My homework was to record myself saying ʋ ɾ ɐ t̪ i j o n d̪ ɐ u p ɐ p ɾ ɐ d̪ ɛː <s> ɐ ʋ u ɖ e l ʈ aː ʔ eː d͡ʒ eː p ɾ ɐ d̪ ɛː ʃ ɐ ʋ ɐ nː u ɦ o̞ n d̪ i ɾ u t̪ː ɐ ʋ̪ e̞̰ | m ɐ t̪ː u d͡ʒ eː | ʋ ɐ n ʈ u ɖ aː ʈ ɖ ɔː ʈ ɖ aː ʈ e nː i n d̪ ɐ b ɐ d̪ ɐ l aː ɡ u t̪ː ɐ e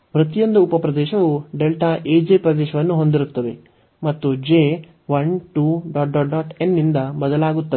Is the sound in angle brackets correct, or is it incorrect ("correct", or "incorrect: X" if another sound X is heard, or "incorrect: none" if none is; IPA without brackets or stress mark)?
incorrect: ʃ